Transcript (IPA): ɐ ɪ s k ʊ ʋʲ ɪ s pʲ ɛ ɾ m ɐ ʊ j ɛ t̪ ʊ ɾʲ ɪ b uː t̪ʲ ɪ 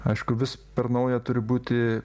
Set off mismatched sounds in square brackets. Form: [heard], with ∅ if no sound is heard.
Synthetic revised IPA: ɐ ɪ [ʃ] k ʊ ʋʲ ɪ s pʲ ɛ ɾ [n] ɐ ʊ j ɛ t̪ ʊ ɾʲ ɪ b uː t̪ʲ ɪ